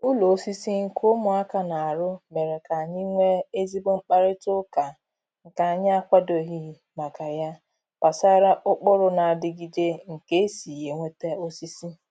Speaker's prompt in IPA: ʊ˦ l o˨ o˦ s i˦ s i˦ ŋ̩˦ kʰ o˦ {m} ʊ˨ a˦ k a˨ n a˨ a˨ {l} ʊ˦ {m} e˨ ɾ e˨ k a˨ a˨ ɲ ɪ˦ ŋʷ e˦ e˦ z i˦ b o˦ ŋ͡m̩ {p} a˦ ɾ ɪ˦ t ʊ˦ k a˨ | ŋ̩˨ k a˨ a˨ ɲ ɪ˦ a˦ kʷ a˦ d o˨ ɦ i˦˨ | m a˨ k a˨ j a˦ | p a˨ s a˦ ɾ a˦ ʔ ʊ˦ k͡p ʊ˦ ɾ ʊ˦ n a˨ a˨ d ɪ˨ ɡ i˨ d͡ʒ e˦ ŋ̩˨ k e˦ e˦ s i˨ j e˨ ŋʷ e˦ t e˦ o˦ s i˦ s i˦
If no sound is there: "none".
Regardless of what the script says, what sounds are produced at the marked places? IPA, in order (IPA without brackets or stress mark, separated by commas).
m, ɾ, m, k͡p